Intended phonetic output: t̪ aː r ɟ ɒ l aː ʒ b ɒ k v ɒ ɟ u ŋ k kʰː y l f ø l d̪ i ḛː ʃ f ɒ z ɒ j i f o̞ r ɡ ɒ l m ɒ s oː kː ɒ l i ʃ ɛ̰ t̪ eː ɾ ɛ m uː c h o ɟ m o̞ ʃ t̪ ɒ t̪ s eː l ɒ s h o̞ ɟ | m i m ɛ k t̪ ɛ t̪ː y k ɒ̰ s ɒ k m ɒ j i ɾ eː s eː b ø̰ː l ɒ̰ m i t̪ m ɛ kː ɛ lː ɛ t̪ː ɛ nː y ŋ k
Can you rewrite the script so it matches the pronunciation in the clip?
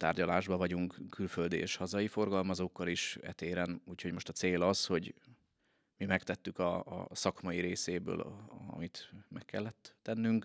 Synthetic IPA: t̪ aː r ɟ ɒ l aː ʒ b ɒ v ɒ ɟ u ŋ k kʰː y l f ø l d̪ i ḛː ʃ h ɒ z ɒ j i f o̞ r ɡ ɒ l m ɒ z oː kː ɒ l i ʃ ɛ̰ t̪ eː ɾ ɛ n uː c h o ɟ m o̞ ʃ t̪ ɒ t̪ s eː l ɒ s h o̞ ɟ | m i m ɛ k t̪ ɛ t̪ː y k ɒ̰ s ɒ k m ɒ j i ɾ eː s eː b ø̰ː l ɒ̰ m i t̪ m ɛ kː ɛ lː ɛ t̪ː ɛ nː y ŋ k